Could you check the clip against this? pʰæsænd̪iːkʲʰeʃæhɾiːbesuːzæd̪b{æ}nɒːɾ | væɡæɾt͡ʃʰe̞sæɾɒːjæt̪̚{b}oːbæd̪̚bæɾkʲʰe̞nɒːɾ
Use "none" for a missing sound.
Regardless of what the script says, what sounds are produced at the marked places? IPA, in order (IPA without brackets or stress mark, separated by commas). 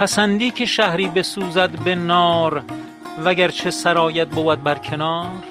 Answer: e, b